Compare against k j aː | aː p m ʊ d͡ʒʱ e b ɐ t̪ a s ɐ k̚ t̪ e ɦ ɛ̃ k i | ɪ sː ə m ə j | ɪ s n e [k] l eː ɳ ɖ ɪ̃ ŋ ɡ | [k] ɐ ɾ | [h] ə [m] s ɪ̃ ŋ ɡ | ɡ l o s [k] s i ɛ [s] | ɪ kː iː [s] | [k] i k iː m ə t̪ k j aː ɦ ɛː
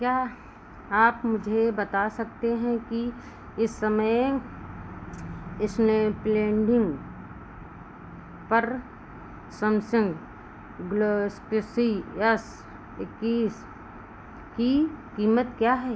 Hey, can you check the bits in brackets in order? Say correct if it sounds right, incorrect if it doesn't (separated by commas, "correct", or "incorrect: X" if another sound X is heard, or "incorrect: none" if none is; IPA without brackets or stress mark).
incorrect: p, incorrect: p, incorrect: s, correct, correct, correct, correct, correct